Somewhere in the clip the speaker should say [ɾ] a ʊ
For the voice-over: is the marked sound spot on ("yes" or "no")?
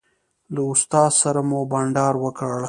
no